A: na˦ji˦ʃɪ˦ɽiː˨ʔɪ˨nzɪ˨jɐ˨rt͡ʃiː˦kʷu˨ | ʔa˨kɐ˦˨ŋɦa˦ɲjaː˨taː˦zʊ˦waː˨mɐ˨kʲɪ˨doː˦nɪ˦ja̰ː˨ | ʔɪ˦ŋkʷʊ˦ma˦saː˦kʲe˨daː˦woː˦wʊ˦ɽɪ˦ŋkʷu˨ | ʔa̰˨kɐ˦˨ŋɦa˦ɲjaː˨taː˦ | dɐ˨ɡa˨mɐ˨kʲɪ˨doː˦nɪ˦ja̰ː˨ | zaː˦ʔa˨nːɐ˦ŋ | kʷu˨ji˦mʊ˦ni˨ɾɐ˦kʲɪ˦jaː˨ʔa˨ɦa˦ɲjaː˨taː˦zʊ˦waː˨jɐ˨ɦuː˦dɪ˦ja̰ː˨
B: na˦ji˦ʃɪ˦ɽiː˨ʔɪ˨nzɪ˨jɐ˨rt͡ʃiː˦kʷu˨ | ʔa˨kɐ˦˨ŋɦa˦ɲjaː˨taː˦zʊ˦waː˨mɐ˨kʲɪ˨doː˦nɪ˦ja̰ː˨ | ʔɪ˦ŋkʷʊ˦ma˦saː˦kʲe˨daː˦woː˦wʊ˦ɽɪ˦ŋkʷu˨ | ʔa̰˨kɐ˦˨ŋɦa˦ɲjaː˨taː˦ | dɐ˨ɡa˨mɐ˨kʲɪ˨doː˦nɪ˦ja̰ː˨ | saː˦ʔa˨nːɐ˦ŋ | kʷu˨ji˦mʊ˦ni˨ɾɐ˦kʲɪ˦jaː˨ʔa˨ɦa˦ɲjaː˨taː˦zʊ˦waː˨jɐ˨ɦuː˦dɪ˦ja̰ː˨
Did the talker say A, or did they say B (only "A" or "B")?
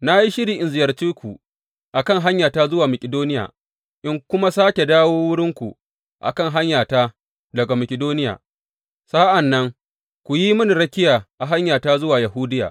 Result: B